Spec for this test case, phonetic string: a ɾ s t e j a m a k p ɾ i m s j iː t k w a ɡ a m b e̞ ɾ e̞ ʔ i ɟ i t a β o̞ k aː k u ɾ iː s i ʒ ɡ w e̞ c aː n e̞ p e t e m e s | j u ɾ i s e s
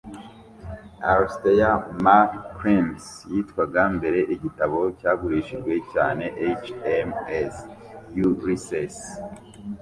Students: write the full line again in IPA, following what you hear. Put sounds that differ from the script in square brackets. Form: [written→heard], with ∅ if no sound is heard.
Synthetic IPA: a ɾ s t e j a m a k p ɾ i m s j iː t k w a ɡ a m b e̞ ɾ e̞ ʔ i ɟ i t a β o̞ [k→c] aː [k→ɡ] u ɾ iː [s→ʃ] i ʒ ɡ w e̞ c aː n e̞ [p→ʔ] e [t→t͡ʃ] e m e s | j u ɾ i s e s